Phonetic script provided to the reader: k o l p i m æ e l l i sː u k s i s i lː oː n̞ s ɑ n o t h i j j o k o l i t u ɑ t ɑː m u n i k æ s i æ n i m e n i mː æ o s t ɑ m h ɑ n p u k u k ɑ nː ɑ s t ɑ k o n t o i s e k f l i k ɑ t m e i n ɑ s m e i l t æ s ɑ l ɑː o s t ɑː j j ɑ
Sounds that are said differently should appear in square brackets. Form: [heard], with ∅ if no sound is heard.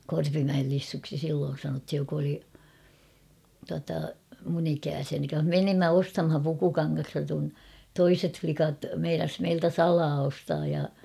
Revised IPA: k o [r] p i m æ e l l i sː u k s i s i lː oː n̞ s ɑ n o t h i j j o k o l i t u ɑ t [ɑ] m u n i k [æː] s i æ n i m e n i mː æ o s t ɑ m h ɑ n p u k u k ɑ [ŋː] ɑ s t ɑ k [u] n t o i s e [t] f l i k ɑ t m e i n ɑ s m e i l t æ s ɑ l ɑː o s t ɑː j j ɑ